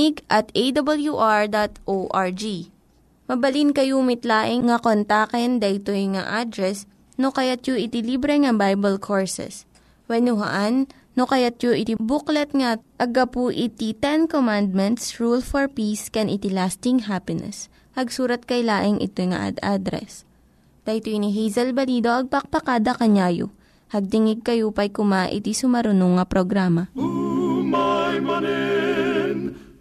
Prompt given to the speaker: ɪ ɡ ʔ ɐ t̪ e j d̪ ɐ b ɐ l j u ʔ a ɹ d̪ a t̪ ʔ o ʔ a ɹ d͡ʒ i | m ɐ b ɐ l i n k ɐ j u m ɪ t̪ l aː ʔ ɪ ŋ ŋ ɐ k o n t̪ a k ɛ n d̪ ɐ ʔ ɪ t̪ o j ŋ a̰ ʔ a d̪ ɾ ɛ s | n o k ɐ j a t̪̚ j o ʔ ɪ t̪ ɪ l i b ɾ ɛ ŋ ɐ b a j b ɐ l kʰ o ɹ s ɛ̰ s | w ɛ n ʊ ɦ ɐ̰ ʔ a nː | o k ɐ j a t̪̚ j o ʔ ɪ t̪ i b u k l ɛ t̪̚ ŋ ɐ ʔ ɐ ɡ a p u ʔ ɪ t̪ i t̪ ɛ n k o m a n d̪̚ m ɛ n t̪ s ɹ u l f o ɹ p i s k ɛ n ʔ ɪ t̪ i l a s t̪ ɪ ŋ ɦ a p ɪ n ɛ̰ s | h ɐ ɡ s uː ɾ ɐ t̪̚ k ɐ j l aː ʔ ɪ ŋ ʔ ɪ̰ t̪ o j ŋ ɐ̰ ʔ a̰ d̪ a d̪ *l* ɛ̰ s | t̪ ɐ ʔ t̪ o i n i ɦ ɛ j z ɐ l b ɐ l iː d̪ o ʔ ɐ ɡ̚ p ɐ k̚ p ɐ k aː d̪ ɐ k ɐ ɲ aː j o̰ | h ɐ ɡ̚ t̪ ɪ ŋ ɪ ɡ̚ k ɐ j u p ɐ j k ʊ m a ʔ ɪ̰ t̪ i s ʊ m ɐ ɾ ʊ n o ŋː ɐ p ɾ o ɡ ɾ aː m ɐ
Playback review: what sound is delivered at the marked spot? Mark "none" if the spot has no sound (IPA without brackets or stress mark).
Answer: ɾ